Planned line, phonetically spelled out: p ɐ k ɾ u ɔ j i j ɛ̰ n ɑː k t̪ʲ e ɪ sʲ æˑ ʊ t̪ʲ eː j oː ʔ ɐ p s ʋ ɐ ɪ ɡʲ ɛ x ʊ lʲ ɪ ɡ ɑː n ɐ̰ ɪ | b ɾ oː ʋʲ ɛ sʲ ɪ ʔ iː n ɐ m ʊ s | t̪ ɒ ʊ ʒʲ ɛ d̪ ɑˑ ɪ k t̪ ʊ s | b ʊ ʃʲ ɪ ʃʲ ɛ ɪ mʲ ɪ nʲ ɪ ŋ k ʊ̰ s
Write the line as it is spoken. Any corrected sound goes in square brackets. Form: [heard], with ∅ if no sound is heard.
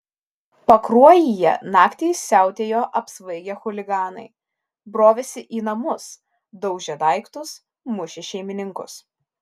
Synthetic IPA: p ɐ k ɾ u ɔ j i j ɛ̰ n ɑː k t̪ʲ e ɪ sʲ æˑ ʊ t̪ʲ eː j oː ʔ ɐ p s ʋ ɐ ɪ ɡʲ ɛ x ʊ lʲ ɪ ɡ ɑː n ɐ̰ ɪ | b ɾ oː ʋʲ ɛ sʲ ɪ ʔ iː n ɐ m ʊ s | [d̪] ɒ ʊ ʒʲ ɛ d̪ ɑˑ ɪ k t̪ ʊ s | [m] ʊ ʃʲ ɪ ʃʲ ɛ ɪ mʲ ɪ nʲ ɪ ŋ k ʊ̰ s